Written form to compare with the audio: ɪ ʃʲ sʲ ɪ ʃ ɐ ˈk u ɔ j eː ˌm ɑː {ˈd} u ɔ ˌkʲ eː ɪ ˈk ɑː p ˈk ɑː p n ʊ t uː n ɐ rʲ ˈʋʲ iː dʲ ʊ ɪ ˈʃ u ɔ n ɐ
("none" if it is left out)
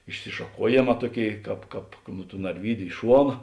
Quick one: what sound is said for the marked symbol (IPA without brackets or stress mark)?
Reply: t